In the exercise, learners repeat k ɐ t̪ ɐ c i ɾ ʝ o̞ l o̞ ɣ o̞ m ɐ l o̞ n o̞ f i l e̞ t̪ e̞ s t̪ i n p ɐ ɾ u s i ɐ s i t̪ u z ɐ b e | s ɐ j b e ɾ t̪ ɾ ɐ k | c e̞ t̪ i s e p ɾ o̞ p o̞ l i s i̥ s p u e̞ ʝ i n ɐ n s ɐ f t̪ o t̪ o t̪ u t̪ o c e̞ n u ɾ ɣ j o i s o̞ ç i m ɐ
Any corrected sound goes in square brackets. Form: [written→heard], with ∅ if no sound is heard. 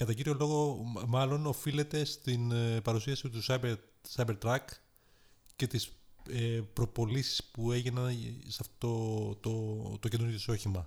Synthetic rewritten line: k ɐ t̪ ɐ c i ɾ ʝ o̞ l o̞ ɣ o̞ m ɐ l o̞ n o̞ f i l e̞ t̪ e̞ s t̪ i n p ɐ ɾ u s i ɐ s i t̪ u [z→s] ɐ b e | s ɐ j b e ɾ t̪ ɾ ɐ k | c e̞ t̪ i s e p ɾ o̞ p o̞ l i s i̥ s p u e̞ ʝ i n ɐ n s ɐ f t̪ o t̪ o t̪ [u→o] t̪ o c e̞ n u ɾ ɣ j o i s o̞ ç i m ɐ